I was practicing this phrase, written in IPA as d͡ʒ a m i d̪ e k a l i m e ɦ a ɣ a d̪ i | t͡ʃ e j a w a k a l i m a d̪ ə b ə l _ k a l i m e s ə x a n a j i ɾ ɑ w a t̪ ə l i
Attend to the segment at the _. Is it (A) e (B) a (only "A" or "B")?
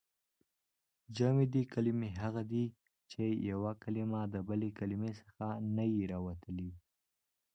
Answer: A